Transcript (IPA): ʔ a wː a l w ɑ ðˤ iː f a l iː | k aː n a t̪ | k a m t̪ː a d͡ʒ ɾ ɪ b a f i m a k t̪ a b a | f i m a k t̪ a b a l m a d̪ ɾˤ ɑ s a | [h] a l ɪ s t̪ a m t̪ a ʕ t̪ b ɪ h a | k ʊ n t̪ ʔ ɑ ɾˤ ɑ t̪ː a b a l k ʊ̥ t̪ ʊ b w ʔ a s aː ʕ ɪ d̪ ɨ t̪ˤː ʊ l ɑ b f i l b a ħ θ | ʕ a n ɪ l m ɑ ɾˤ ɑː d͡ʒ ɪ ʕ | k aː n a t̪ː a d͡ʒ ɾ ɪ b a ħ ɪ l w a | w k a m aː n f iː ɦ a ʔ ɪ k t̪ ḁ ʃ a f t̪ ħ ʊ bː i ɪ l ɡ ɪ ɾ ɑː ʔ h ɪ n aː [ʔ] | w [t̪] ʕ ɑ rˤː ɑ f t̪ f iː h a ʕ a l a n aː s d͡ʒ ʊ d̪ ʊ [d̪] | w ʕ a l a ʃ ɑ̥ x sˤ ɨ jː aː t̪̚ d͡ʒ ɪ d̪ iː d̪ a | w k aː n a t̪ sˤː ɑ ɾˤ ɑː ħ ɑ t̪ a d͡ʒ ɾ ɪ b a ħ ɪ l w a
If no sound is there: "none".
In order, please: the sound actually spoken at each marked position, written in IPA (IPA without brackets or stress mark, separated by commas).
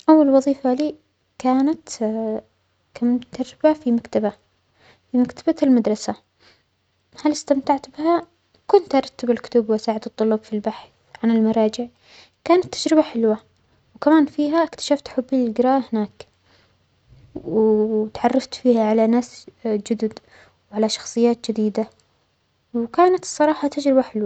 h, k, t̪, d̪